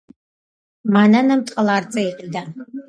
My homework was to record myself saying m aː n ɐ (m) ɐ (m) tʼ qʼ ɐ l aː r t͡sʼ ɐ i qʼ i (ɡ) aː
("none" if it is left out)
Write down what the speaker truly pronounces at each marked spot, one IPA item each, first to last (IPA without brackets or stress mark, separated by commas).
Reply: n, m, d